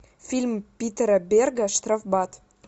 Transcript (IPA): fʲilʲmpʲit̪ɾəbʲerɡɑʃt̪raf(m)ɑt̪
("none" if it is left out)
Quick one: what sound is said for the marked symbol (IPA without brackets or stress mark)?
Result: b